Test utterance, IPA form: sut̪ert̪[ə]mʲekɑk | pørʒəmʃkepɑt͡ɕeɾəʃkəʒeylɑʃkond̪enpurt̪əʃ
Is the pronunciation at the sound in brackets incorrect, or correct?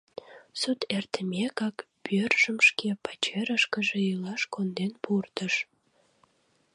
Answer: correct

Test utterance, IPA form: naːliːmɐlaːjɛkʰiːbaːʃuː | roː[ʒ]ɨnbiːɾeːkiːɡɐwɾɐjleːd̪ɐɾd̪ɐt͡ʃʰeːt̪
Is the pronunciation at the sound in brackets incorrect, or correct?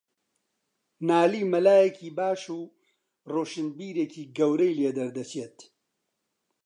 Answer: incorrect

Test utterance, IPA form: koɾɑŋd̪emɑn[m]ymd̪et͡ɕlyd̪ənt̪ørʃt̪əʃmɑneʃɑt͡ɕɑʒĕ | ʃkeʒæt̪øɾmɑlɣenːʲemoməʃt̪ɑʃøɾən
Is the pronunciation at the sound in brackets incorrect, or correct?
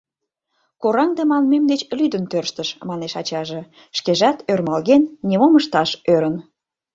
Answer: correct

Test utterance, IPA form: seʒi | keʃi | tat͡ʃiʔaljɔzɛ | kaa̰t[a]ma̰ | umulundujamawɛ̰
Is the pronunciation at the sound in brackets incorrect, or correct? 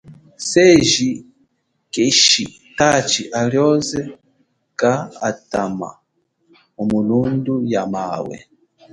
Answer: correct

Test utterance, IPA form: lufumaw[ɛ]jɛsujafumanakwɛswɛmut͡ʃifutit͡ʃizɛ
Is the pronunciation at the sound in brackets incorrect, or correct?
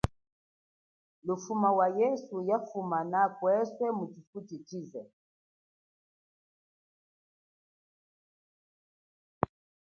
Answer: incorrect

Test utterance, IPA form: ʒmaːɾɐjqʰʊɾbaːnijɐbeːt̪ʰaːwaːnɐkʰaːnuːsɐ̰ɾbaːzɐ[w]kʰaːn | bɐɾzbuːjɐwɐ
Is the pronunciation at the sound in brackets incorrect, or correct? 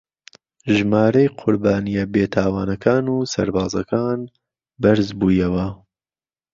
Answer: incorrect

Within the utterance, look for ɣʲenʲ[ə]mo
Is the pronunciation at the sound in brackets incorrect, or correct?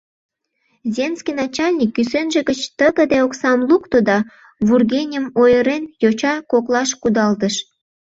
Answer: correct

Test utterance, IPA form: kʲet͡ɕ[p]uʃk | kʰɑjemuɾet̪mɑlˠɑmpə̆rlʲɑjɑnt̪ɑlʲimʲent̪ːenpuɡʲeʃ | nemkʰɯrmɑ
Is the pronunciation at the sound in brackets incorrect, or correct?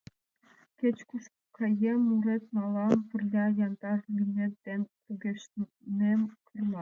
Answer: incorrect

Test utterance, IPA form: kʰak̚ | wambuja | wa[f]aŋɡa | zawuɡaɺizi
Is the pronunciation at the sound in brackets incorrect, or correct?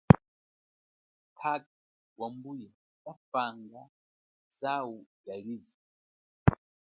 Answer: correct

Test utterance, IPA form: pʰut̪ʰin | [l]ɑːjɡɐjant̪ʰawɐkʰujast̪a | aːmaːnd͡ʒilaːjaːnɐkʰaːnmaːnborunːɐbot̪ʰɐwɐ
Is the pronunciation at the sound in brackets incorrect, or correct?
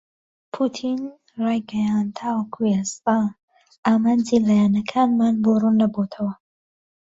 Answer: incorrect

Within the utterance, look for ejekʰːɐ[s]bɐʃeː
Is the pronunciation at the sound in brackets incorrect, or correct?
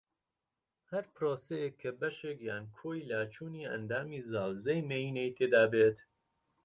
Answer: incorrect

